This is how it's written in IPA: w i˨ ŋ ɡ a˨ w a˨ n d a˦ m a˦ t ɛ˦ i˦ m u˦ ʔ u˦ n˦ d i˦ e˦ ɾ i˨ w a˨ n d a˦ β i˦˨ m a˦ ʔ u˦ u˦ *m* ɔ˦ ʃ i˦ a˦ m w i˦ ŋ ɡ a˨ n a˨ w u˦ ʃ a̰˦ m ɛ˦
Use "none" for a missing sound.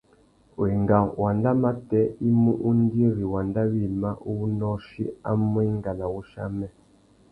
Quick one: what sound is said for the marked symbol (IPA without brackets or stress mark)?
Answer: n